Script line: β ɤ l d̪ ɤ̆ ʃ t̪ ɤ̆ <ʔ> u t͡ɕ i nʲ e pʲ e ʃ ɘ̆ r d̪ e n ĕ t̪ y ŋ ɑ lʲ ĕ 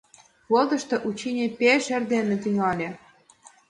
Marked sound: correct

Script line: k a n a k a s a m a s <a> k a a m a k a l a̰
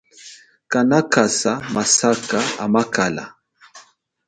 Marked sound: correct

